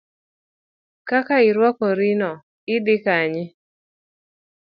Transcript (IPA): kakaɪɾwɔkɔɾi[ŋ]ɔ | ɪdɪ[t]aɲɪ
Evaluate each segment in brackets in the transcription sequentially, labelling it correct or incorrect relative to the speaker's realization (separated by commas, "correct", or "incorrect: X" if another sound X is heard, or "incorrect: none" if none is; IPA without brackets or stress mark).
incorrect: n, incorrect: k